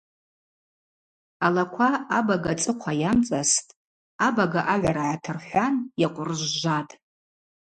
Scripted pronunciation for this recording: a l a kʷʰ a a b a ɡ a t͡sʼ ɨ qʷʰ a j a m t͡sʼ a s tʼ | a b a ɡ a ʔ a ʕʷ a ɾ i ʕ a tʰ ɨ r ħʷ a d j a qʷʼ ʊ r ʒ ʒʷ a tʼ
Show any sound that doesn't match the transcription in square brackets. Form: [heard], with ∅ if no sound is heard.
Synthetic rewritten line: a l a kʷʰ a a b a ɡ a t͡sʼ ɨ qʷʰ a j a m t͡sʼ a s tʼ | a b a ɡ a ʔ a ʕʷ a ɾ [a] ʕ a tʰ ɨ r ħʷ a [n] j a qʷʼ ʊ r ʒ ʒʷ a tʼ